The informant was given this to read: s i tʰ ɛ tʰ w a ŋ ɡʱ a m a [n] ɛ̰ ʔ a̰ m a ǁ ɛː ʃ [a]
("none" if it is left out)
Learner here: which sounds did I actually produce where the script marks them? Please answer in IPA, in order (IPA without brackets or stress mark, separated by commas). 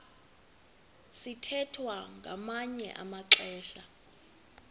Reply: ɲ, a